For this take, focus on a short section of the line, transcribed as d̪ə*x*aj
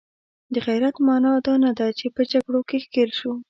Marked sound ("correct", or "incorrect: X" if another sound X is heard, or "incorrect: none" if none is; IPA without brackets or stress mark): incorrect: ɣ